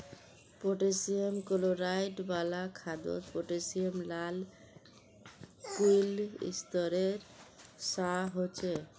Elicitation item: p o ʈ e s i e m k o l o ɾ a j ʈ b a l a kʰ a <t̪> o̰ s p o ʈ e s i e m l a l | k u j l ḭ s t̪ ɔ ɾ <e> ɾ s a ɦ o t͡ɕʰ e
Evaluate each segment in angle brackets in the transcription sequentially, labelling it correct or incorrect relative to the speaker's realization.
incorrect: d̪, correct

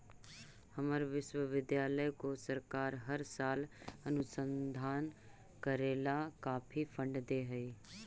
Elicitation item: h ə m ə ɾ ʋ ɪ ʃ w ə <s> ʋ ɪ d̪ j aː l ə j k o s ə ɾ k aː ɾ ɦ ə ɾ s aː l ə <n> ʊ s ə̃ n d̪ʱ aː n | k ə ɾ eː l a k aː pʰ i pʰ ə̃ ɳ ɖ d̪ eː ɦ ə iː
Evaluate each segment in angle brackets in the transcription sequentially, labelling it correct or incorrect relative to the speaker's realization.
incorrect: none, correct

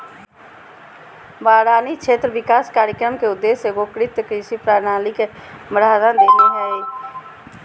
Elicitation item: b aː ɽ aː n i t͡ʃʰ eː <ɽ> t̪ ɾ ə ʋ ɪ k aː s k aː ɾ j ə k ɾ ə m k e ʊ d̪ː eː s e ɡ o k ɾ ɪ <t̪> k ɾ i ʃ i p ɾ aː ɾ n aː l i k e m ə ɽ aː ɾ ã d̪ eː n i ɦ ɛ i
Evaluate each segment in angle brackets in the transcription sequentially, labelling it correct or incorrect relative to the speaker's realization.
incorrect: none, correct

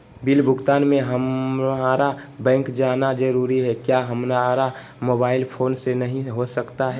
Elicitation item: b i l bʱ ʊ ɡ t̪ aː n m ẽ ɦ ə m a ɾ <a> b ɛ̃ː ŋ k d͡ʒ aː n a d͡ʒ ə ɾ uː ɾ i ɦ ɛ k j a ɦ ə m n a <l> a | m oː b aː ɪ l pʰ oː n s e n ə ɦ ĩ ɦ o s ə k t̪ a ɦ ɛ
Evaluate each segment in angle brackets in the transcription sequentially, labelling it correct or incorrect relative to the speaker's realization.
correct, incorrect: ɾ

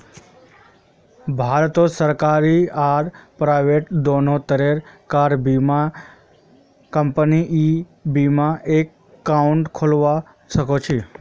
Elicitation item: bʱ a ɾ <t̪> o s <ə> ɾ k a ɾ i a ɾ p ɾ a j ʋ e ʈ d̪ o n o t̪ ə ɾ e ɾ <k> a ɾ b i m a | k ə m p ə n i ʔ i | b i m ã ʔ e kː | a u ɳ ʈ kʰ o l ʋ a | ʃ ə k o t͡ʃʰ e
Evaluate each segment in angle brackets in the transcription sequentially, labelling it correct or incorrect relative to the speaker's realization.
correct, correct, correct

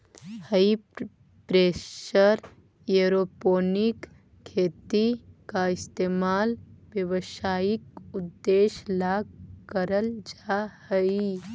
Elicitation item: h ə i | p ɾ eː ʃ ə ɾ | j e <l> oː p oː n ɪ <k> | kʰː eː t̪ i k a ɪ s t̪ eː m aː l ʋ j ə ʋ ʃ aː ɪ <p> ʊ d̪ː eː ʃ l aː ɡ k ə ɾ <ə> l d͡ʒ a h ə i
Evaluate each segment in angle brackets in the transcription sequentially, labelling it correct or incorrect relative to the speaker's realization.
incorrect: ɾ, correct, incorrect: k, correct

